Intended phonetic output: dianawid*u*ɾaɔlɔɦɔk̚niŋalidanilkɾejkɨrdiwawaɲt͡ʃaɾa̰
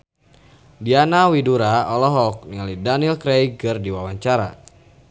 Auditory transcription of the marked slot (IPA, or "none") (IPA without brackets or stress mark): u